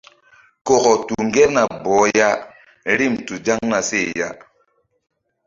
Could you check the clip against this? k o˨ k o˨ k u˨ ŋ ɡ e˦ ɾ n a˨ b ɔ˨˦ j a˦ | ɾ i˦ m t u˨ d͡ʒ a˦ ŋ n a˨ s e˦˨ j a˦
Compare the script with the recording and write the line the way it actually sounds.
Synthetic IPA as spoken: k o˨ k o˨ t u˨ ŋ ɡ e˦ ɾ n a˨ b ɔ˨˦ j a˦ | ɾ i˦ m t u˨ d͡ʒ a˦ ŋ n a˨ s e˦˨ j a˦